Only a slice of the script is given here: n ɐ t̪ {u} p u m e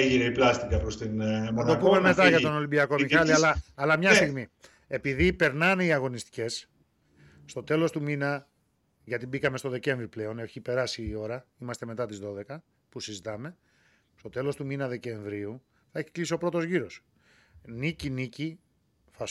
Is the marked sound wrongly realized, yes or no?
yes